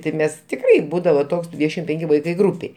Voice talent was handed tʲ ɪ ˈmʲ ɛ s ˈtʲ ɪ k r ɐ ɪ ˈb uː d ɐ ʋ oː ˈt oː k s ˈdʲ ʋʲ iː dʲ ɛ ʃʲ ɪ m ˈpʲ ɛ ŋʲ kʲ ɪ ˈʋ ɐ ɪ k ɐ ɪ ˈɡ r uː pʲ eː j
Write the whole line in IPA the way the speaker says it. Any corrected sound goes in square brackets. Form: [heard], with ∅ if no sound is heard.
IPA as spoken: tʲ ɪ ˈmʲ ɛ s ˈtʲ ɪ k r ɐ ɪ ˈb uː d ɐ ʋ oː ˈt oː k s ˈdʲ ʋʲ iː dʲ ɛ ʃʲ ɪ m ˈpʲ ɛ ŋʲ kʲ ɪ ˈʋ ɐ ɪ k ɐ ɪ ˈɡ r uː pʲ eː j